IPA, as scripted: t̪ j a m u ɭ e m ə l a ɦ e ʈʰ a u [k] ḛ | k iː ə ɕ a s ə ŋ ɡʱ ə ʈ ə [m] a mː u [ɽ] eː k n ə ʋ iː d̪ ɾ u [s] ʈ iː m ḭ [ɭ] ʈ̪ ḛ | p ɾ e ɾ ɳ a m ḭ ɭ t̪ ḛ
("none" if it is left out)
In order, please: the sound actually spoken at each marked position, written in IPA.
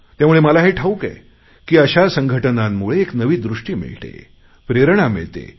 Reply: k, n, ɭ, ʂ, ɭ

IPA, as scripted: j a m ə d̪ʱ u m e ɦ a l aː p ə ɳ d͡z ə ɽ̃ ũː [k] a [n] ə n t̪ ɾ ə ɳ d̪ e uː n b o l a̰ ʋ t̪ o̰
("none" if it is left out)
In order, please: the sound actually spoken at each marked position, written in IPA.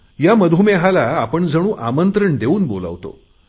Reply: ʔ, m

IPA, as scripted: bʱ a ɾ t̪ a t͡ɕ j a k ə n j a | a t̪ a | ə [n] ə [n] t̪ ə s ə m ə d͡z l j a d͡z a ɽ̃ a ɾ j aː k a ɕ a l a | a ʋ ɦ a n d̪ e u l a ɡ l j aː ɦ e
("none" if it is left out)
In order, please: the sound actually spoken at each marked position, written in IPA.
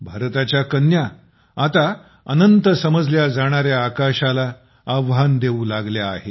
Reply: n, n

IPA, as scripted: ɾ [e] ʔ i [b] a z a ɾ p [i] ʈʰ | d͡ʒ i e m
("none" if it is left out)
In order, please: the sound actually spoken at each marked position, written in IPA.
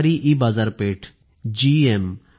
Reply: i, b, e

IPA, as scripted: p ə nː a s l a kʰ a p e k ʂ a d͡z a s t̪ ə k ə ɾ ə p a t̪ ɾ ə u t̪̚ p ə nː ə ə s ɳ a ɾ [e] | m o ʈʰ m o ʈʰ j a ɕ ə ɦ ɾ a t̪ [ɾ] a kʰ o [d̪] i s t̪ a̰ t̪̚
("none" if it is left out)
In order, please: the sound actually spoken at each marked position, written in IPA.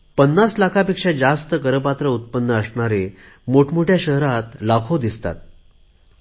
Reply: e, l, d̪

